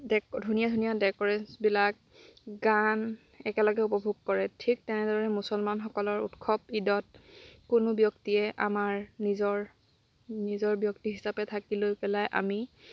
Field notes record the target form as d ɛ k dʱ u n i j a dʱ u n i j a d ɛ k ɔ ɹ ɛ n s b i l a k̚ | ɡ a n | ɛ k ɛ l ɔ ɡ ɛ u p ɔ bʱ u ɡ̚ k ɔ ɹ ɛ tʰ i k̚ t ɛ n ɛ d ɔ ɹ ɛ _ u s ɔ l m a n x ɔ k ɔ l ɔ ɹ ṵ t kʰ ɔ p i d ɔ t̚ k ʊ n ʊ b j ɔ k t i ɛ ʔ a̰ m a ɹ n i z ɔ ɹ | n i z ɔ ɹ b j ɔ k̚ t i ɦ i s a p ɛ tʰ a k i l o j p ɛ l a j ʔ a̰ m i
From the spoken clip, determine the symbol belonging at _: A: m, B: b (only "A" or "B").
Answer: A